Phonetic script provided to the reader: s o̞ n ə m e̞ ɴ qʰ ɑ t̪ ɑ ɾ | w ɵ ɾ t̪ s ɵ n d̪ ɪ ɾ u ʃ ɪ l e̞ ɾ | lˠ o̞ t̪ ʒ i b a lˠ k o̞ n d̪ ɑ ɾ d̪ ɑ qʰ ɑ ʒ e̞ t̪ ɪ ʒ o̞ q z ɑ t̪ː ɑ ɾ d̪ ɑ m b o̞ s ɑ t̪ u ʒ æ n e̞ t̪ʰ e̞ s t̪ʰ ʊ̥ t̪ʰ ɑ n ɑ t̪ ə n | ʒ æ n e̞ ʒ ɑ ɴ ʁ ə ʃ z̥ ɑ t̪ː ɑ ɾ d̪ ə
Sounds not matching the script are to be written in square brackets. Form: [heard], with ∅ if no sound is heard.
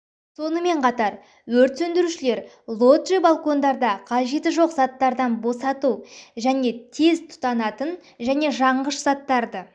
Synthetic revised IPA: s o̞ n ə m e̞ ɴ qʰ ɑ t̪ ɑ ɾ | w ɵ ɾ t̪ s ɵ n d̪ ɪ ɾ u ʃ ɪ l e̞ ɾ | lˠ o̞ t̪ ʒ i b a lˠ k o̞ n d̪ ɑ ɾ d̪ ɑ qʰ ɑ ʒ e̞ t̪ ɪ ʒ o̞ q z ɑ t̪ː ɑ ɾ d̪ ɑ [n] b o̞ s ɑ t̪ u ʒ æ n e̞ t̪ʰ e̞ [z] t̪ʰ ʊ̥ [t̪] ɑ n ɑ t̪ ə n | ʒ æ n e̞ ʒ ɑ ɴ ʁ ə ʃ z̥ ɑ t̪ː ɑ ɾ d̪ ə